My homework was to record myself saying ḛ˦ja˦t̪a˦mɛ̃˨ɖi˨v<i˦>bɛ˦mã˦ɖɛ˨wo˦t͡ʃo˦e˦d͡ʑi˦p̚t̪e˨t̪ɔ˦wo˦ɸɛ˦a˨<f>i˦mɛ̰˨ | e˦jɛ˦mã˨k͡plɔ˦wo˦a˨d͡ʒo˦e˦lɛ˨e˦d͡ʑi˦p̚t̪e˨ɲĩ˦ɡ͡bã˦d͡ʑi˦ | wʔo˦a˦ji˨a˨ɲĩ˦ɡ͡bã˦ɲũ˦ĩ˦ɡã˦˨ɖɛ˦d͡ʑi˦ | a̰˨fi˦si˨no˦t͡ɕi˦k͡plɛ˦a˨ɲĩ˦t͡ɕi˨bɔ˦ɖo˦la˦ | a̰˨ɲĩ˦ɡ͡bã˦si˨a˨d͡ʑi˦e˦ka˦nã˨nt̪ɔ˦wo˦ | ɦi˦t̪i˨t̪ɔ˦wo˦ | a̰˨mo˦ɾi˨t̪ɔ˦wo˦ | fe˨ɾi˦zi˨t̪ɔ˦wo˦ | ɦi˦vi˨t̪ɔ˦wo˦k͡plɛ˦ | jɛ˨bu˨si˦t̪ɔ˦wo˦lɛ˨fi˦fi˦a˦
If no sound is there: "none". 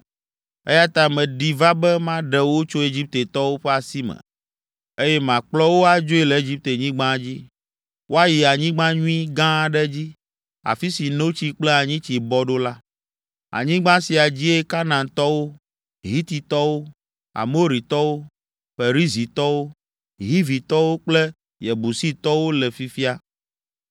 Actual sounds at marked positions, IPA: a˦, s

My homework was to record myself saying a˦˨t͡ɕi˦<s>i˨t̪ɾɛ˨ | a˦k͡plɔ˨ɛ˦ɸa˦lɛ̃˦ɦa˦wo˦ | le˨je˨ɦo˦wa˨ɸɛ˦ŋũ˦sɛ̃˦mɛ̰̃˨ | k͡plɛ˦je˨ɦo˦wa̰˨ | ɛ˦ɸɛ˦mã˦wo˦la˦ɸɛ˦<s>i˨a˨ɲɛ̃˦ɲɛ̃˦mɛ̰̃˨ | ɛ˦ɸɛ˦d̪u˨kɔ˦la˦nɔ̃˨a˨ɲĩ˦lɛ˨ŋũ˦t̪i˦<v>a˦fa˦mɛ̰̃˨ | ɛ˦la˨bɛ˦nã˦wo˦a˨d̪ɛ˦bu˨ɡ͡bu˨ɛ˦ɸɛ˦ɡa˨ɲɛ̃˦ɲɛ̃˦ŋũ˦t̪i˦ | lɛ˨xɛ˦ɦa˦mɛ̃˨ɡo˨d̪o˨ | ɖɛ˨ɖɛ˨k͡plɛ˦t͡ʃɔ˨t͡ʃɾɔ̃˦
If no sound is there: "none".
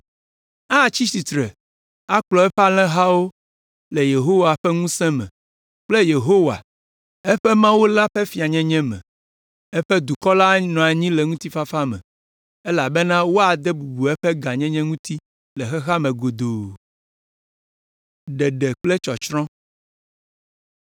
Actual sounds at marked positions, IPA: s, f, f

